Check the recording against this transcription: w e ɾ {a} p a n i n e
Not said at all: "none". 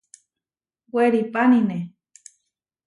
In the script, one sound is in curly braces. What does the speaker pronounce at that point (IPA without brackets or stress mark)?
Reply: i